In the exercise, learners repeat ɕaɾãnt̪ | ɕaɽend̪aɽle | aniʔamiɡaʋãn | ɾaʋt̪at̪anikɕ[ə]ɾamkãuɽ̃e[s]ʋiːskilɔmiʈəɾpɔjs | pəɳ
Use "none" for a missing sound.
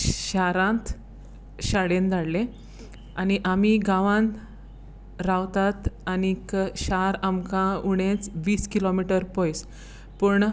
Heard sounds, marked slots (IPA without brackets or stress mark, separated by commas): a, t͡s